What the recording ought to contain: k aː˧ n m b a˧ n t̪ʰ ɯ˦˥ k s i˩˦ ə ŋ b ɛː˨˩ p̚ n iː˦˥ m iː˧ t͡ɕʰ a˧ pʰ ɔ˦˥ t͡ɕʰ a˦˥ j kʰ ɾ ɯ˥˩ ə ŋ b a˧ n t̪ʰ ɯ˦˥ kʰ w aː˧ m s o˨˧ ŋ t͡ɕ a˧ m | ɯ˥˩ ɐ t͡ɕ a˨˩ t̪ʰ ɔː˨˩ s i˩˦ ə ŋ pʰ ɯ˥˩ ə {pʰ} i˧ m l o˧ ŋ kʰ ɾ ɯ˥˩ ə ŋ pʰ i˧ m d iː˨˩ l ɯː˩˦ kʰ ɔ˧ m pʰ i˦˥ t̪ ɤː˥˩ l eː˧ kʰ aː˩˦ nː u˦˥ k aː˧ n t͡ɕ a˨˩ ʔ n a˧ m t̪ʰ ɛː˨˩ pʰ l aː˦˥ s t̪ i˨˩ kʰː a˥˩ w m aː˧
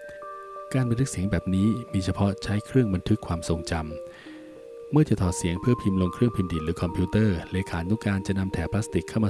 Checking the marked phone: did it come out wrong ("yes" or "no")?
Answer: no